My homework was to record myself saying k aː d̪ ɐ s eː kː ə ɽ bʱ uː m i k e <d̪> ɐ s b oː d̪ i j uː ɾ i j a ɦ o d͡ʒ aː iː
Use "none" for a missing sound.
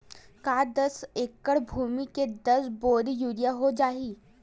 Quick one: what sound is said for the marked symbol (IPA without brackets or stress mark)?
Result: d̪